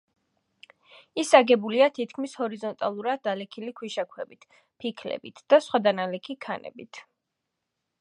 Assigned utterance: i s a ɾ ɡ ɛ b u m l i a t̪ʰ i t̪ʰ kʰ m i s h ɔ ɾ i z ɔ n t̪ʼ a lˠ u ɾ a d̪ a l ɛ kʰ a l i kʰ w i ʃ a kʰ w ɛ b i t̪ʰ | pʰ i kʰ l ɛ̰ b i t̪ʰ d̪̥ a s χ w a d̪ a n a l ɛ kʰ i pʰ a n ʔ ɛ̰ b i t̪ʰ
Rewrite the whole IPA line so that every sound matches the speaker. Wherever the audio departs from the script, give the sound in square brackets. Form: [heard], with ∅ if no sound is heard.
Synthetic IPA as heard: i s a [∅] ɡ ɛ b u [∅] l i a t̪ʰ i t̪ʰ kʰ m i s h ɔ ɾ i z ɔ n t̪ʼ a lˠ u ɾ a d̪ a l ɛ kʰ [i] l i kʰ w i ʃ a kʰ w ɛ b i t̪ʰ | pʰ i kʰ l ɛ̰ b i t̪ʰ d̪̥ a s χ w a d̪ a n a l ɛ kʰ i [kʰ] a n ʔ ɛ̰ b i t̪ʰ

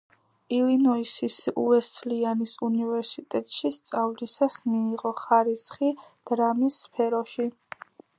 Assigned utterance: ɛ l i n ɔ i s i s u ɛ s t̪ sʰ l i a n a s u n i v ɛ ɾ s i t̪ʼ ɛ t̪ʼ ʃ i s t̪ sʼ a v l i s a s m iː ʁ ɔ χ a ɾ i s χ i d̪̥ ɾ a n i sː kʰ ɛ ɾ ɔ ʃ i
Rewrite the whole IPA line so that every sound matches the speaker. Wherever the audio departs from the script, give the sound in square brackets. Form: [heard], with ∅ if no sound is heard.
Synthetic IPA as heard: [i] l i n ɔ i s i s u ɛ s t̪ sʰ l i a n [i] s u n i v ɛ ɾ s i t̪ʼ ɛ t̪ʼ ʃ i s t̪ sʼ a v l i s a s m iː ʁ ɔ χ a ɾ i s χ i d̪̥ ɾ a [m] i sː [pʰ] ɛ ɾ ɔ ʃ i

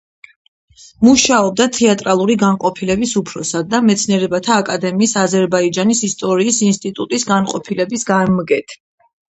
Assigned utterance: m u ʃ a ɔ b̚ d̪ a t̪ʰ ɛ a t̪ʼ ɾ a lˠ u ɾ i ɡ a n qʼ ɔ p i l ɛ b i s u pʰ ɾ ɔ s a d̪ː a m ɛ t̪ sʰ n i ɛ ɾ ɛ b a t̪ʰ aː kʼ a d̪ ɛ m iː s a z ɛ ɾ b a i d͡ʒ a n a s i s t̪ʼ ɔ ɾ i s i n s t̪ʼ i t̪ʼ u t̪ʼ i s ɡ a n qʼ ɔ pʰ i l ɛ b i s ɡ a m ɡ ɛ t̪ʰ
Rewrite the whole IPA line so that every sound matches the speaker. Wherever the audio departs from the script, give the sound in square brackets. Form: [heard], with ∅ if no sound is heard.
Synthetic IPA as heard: m u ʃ a ɔ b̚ d̪ a t̪ʰ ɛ a t̪ʼ ɾ a lˠ u ɾ i ɡ a n qʼ ɔ [pʰ] i l ɛ b i s u pʰ ɾ ɔ s a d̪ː a m ɛ t̪ sʰ n i ɛ ɾ ɛ b a t̪ʰ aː kʼ a d̪ ɛ m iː s a z ɛ ɾ b a i d͡ʒ a n [i] s i s t̪ʼ ɔ ɾ [iː] s i n s t̪ʼ i t̪ʼ u t̪ʼ i s ɡ a n qʼ ɔ pʰ i l ɛ b i s ɡ a m ɡ ɛ t̪ʰ

